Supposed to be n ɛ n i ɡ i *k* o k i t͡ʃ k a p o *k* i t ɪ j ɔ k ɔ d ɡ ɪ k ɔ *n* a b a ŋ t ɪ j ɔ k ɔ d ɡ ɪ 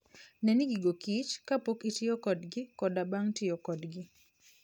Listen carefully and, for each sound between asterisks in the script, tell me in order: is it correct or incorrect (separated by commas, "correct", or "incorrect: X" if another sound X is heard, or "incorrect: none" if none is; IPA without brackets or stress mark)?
incorrect: ɡ, correct, incorrect: d